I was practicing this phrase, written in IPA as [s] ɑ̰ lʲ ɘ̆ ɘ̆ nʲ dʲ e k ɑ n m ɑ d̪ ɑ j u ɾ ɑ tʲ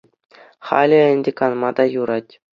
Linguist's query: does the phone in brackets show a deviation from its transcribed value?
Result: yes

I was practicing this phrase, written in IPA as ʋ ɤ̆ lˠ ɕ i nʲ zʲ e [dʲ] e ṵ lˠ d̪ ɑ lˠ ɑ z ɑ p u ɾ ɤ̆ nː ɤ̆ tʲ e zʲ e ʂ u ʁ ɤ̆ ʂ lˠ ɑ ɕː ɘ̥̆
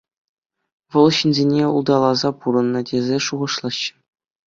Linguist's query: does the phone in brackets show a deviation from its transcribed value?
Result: yes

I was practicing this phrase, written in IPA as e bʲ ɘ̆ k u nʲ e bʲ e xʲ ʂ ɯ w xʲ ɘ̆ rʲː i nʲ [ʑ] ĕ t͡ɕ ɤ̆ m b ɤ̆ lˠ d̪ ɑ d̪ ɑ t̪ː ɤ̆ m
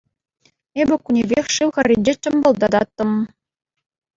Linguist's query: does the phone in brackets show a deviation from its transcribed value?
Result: yes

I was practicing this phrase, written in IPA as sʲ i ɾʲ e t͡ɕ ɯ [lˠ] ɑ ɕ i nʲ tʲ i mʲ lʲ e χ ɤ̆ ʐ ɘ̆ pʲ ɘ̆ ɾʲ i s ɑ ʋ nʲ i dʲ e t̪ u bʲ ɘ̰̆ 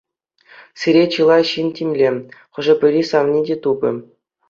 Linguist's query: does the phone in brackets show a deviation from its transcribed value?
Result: no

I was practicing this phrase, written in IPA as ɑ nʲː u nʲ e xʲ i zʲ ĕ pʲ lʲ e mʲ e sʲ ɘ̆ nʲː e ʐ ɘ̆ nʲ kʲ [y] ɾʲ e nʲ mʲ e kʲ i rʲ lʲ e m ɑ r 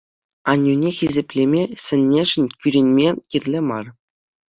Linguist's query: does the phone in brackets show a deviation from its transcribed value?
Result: no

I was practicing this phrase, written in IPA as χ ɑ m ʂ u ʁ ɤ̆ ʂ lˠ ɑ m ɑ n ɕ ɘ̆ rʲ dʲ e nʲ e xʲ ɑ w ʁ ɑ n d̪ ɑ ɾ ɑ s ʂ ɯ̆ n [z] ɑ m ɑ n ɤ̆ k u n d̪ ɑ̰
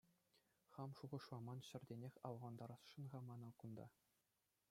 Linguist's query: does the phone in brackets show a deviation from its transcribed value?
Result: yes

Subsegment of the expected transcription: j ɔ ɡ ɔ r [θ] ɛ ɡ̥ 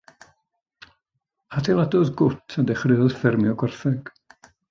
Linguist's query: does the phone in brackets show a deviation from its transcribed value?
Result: no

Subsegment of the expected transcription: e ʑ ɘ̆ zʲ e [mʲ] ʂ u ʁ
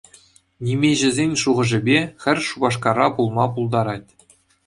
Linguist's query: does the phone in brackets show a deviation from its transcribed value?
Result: yes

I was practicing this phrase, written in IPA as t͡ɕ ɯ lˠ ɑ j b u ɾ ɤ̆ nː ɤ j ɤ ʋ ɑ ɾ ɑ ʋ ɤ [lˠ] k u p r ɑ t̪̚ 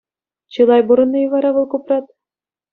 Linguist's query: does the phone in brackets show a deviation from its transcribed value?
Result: no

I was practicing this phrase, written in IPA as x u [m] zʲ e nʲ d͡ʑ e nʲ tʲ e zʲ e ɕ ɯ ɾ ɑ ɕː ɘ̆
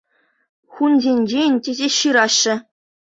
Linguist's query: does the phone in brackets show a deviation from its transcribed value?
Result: yes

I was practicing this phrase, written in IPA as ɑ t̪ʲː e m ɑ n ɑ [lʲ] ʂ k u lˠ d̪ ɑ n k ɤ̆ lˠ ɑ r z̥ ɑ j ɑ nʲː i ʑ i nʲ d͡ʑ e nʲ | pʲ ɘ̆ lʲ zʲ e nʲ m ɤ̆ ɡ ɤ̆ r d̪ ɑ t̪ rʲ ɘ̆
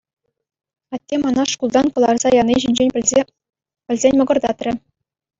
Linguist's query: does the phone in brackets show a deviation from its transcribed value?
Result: yes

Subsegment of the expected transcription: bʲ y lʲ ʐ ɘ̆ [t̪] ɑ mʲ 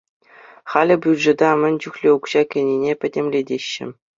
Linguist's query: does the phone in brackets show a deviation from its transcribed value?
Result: yes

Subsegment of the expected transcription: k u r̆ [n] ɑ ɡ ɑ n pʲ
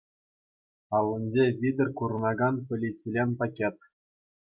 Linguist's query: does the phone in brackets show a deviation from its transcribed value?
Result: no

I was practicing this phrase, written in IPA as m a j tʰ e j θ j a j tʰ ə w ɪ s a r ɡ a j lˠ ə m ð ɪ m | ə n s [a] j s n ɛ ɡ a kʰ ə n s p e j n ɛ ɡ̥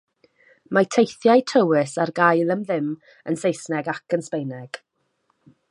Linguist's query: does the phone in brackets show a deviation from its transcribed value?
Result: yes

